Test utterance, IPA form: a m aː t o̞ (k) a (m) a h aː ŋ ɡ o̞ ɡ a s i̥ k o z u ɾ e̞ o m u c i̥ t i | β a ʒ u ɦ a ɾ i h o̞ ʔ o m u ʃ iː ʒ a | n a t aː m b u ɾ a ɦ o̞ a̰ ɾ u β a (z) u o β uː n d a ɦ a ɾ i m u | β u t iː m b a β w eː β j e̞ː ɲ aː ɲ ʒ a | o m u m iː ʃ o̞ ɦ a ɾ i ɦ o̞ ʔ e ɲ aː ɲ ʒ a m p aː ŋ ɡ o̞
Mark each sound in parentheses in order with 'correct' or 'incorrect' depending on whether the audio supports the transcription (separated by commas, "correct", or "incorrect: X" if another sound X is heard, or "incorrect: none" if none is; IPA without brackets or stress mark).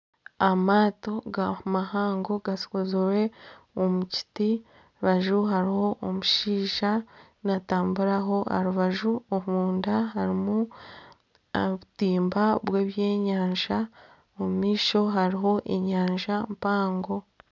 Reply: incorrect: ɡ, correct, incorrect: ʒ